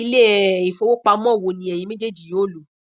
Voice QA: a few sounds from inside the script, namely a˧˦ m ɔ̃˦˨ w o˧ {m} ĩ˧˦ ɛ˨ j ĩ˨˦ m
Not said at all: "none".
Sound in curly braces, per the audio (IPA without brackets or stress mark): n